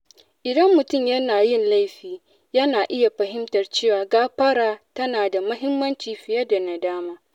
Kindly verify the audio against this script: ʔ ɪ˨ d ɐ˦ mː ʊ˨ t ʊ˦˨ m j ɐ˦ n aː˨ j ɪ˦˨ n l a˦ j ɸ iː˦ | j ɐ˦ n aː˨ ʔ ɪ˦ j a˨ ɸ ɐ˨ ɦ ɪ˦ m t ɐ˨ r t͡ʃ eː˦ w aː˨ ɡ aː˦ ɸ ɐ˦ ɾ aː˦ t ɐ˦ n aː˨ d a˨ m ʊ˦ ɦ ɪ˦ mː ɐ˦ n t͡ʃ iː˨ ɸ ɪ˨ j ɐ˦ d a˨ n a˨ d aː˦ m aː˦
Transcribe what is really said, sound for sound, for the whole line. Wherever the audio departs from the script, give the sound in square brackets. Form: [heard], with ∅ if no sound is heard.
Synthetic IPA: ʔ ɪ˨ d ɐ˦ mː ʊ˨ t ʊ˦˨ m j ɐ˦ n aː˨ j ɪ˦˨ n l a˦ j ɸ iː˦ | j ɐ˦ n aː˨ ʔ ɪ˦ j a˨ ɸ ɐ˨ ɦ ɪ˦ m t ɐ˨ r t͡ʃ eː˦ w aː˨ ɡ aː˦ ɸ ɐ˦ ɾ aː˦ t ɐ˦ n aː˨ d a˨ m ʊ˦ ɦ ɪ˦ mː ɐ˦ n t͡ʃ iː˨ ɸ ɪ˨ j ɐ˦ d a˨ n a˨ d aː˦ m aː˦